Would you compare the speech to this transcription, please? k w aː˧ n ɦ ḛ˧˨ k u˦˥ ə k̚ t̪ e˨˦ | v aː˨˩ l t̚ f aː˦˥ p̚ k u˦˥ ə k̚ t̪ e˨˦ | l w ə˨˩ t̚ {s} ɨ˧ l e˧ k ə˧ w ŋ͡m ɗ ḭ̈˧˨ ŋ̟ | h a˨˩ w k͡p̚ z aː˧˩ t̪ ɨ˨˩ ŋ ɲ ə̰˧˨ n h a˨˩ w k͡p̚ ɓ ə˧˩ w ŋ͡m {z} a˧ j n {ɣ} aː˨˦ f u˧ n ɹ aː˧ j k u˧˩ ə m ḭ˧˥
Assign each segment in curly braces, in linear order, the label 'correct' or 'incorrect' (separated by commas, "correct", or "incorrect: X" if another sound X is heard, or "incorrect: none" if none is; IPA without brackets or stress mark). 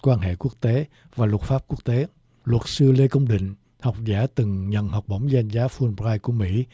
correct, correct, incorrect: z